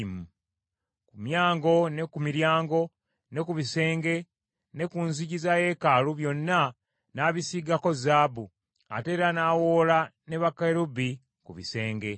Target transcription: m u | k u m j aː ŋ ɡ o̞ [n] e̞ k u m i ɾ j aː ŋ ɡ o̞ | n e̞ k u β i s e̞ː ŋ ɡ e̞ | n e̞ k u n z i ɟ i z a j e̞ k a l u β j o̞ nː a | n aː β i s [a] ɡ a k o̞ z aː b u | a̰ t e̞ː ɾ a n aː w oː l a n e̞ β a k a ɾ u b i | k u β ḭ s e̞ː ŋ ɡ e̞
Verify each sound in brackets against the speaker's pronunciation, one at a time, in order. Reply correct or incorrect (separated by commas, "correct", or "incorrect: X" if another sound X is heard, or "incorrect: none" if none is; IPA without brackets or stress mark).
correct, incorrect: i